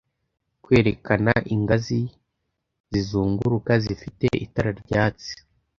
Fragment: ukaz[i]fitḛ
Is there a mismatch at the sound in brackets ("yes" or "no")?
no